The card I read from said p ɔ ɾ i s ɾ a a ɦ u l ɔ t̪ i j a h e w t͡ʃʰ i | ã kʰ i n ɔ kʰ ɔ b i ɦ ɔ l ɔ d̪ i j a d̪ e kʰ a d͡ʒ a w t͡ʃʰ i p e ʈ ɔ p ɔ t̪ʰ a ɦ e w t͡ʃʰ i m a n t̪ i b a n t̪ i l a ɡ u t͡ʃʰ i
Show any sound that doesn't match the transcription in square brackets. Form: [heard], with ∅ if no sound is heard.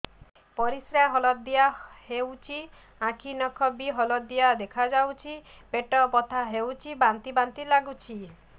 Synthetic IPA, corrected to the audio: p ɔ ɾ i s ɾ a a ɦ [ɔ] l ɔ [d̪] i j a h e w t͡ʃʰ i | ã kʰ i n ɔ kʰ ɔ b i ɦ ɔ l ɔ d̪ i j a d̪ e kʰ a d͡ʒ a w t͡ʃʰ i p e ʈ ɔ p ɔ t̪ʰ a ɦ e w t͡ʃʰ i [b] a n t̪ i b a n t̪ i l a ɡ u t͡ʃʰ i